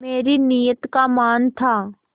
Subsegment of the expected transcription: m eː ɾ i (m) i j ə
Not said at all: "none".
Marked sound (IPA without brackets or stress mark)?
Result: n